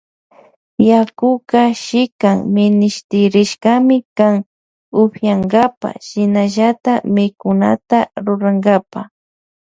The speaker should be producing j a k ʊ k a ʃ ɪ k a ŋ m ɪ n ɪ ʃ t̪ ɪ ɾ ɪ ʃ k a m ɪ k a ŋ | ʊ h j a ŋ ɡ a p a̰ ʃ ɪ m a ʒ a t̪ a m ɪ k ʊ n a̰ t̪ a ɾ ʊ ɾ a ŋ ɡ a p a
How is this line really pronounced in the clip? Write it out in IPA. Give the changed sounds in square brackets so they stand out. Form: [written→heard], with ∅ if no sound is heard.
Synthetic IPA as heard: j a k ʊ k a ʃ ɪ k a ŋ m ɪ n ɪ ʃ t̪ ɪ ɾ ɪ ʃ k a m ɪ k a ŋ | ʊ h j a ŋ ɡ a p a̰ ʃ ɪ [m→n] a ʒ a t̪ a m ɪ k ʊ n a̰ t̪ a ɾ ʊ ɾ a ŋ ɡ a p a